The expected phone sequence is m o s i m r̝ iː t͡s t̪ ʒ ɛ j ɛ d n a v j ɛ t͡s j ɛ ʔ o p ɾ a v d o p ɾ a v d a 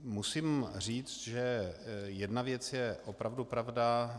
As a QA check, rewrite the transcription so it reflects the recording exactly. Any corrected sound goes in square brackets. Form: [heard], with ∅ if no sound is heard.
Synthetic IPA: m [u] s i m r̝ iː t͡s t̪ ʒ ɛ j ɛ d n a v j ɛ t͡s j ɛ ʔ o p ɾ a v d [u] p ɾ a v d a

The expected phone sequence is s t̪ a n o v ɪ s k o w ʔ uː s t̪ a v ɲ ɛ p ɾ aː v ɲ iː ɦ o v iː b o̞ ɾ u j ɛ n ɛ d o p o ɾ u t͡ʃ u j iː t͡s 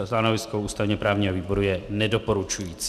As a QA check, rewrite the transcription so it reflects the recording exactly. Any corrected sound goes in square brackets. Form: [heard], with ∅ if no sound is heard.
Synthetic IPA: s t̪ a n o v ɪ s k o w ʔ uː s t̪ a v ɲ ɛ p ɾ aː v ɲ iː ɦ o v iː b o̞ ɾ u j ɛ n ɛ d o p o ɾ u t͡ʃ u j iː t͡s

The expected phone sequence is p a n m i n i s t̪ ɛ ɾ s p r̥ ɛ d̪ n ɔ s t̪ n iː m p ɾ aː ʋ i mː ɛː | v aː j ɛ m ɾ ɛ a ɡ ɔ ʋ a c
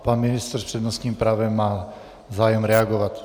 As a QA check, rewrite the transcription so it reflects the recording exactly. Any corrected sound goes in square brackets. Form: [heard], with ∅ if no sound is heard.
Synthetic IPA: p a n m i n i s t̪ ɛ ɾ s p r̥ ɛ d̪ n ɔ s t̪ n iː m p ɾ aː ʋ [ɛ] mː [aː] | [z] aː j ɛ m ɾ ɛ a ɡ ɔ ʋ a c

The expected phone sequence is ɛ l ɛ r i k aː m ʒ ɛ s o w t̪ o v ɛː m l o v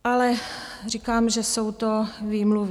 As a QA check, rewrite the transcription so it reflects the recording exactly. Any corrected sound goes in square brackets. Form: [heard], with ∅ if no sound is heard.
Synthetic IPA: [a] l ɛ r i k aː m ʒ ɛ s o w t̪ o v [iː] m l [u] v

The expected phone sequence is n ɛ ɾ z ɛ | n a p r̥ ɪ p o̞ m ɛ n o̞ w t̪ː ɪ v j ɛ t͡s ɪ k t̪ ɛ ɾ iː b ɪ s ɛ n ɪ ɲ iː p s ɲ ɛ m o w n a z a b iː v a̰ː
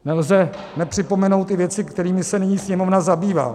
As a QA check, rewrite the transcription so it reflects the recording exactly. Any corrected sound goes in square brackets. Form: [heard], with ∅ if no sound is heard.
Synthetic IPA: n ɛ [l] z ɛ | n [ɛ] p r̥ ɪ p o̞ m ɛ n o̞ w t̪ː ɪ v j ɛ t͡s ɪ k t̪ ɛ ɾ iː [m] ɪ s ɛ n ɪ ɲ iː [∅] s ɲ ɛ m o [v] n a z a b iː v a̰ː

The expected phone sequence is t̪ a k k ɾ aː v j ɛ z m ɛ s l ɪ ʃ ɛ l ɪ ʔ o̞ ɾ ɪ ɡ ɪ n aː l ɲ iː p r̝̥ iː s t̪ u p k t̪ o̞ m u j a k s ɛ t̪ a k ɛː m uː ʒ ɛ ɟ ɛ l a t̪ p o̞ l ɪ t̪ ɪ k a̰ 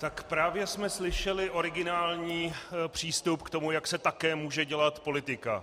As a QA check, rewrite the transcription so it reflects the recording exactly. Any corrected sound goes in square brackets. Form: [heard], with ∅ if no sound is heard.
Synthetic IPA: t̪ a k [p] ɾ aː v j ɛ [s] m ɛ s l ɪ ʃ ɛ l ɪ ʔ o̞ ɾ ɪ ɡ ɪ n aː l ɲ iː p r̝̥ iː s t̪ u p k t̪ o̞ m u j a k s ɛ t̪ a k ɛː m uː ʒ ɛ ɟ ɛ l a t̪ p o̞ l ɪ t̪ ɪ k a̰

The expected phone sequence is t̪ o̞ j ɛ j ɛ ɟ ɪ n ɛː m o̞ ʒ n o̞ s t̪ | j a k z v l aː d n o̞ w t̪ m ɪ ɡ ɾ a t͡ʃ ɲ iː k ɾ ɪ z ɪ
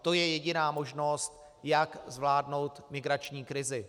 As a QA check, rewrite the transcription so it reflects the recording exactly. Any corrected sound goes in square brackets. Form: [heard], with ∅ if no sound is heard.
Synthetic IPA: t̪ o̞ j ɛ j ɛ ɟ ɪ n [aː] m o̞ ʒ n o̞ s t̪ | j a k z v l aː d n o̞ w t̪ m ɪ ɡ ɾ a t͡ʃ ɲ iː k ɾ ɪ z ɪ

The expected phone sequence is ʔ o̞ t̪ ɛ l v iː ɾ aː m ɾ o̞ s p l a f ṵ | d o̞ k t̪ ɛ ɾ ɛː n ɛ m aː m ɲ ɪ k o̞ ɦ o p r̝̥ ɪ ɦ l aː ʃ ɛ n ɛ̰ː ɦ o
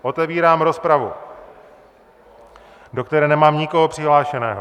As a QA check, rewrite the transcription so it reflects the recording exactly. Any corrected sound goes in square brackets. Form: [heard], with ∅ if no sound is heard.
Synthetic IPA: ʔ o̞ t̪ ɛ [∅] v iː ɾ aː m ɾ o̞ s p [ɾ] a [v] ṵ | d o̞ k t̪ ɛ ɾ ɛː n ɛ m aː m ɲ ɪ k o̞ ɦ o p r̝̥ ɪ ɦ l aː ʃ ɛ n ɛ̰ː ɦ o

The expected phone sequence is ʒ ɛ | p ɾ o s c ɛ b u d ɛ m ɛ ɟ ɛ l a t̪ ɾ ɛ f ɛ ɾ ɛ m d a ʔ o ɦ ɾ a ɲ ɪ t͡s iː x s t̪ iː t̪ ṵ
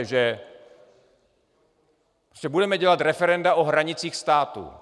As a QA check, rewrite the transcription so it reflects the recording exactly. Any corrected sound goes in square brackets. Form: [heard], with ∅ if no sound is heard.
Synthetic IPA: ʒ ɛ | p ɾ o s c ɛ b u d ɛ m ɛ ɟ ɛ l a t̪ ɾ ɛ f ɛ ɾ ɛ [n] d a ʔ o ɦ ɾ a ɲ ɪ t͡s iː x s t̪ [aː] t̪ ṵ

